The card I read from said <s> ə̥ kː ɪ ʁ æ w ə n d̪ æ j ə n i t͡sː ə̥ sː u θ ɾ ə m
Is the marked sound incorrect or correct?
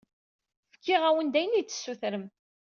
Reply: incorrect: f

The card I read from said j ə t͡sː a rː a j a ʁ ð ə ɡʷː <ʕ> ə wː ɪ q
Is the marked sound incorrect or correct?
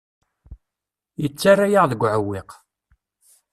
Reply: correct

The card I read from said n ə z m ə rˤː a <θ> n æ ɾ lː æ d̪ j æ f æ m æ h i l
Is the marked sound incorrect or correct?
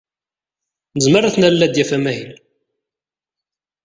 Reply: correct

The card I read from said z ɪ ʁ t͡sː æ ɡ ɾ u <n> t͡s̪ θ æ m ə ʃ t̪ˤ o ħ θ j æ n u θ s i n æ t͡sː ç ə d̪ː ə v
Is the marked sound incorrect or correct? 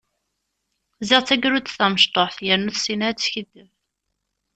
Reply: incorrect: none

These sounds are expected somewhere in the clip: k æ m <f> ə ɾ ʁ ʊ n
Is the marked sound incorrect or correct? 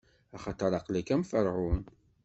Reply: correct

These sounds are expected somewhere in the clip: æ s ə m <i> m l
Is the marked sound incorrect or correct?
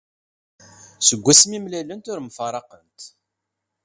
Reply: correct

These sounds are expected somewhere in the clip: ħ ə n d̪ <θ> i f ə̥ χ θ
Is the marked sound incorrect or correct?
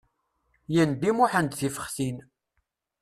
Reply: correct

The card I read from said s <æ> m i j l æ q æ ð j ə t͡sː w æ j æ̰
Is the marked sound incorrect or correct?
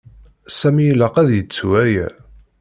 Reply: correct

